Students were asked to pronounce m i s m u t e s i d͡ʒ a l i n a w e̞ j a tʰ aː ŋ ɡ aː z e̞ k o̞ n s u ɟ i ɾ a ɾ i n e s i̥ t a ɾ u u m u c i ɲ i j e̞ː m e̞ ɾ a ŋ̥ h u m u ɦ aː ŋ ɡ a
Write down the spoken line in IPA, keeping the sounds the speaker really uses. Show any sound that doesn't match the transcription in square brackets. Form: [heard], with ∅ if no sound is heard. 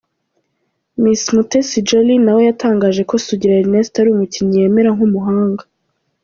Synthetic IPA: m i s m u t e s i d͡ʒ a l i n a w e̞ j a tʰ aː ŋ ɡ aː [ʒ] e̞ k o̞ [∅] s u ɟ i ɾ a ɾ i n e s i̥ t a ɾ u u m u c i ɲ i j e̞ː m e̞ ɾ a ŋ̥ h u m u ɦ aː ŋ ɡ a